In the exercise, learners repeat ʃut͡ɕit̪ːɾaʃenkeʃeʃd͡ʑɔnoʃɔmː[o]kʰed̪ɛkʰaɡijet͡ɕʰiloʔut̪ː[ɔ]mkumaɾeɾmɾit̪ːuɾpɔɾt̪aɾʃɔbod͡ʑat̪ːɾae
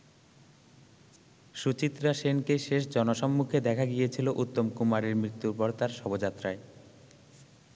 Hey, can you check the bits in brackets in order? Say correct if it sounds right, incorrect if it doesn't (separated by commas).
incorrect, incorrect